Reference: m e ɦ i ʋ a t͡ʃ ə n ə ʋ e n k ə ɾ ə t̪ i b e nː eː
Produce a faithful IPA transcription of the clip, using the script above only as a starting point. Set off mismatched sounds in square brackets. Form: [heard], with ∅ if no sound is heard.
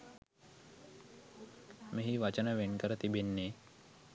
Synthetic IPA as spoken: m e ɦ i ʋ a t͡ʃ ə n ə ʋ e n k ə ɾ ə t̪ i b e nː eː